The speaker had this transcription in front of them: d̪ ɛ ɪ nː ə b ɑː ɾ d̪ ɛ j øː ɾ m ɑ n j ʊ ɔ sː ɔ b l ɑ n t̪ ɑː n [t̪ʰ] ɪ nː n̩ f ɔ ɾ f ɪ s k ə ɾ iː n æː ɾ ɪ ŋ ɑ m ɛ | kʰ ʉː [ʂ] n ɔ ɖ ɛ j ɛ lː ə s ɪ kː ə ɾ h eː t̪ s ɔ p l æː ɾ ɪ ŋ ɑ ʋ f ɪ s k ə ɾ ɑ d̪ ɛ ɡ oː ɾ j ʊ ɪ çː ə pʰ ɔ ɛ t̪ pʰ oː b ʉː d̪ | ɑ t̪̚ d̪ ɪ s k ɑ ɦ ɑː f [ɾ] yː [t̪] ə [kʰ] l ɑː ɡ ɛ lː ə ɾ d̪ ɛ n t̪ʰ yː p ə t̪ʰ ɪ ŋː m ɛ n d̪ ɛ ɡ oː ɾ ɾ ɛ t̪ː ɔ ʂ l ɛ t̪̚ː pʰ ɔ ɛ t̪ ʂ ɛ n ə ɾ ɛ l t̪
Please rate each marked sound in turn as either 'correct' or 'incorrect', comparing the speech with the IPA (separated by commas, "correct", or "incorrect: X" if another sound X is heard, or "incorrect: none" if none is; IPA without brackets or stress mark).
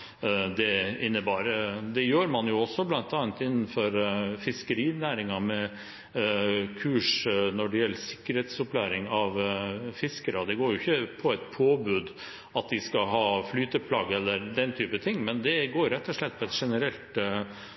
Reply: incorrect: t̪, correct, incorrect: l, correct, incorrect: pʰ